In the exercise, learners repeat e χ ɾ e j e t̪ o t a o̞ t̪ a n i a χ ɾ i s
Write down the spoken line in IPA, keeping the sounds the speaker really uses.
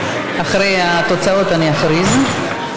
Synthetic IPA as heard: a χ ɾ e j a t̪ o t͡s a o̞ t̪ a n i a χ ɾ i z